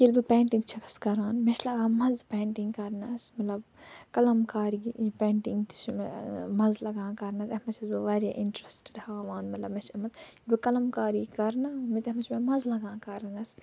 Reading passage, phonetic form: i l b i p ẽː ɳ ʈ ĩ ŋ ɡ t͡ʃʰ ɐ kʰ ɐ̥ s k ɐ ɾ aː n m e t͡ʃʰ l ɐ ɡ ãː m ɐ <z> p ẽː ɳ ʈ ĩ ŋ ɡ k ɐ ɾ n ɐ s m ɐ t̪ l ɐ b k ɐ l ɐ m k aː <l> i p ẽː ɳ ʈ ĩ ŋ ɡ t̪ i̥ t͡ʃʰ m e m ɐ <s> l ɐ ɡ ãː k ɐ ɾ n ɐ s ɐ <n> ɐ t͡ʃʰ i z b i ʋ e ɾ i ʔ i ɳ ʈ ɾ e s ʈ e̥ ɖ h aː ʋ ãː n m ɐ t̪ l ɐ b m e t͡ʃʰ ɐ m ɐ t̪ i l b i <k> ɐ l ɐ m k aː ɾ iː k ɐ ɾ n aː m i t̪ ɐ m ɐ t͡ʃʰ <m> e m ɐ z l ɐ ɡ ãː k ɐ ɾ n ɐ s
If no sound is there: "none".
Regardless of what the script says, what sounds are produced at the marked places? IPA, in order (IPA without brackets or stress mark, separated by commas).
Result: z, ɾ, z, m, k, m